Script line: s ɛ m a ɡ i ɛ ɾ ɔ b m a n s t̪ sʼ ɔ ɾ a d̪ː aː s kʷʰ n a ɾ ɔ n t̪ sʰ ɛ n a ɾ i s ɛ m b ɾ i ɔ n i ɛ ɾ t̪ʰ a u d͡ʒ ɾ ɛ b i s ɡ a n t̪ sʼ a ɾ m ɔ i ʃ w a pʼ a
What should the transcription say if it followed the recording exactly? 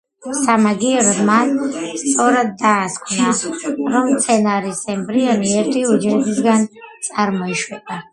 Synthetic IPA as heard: s a m a ɡ i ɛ ɾ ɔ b m a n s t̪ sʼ ɔ ɾ a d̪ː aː s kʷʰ n a ɾ ɔ m t̪ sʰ ɛ n a ɾ i s ɛ m b ɾ i ɔ n i ɛ ɾ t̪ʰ i u d͡ʒ ɾ ɛ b i s ɡ a n t̪ sʼ a ɾ m ɔ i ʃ w ɛ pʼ a